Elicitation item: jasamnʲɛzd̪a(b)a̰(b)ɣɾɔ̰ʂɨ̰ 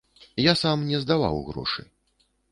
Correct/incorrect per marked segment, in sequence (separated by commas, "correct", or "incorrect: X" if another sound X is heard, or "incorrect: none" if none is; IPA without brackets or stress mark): incorrect: v, incorrect: w